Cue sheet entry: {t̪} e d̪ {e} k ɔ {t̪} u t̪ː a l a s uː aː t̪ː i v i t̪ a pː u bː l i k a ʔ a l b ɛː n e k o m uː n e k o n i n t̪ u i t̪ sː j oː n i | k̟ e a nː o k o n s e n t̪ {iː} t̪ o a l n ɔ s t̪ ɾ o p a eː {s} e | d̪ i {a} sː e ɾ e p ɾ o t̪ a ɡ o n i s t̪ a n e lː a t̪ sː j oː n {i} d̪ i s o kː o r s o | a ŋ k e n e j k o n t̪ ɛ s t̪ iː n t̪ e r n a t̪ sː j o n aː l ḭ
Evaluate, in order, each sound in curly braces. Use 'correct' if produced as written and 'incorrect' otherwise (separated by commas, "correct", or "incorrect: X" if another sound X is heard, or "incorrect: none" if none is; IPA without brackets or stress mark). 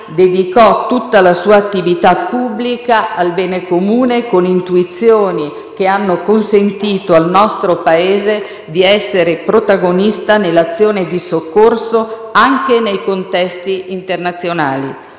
incorrect: d̪, incorrect: i, correct, correct, incorrect: z, incorrect: ɛ, incorrect: e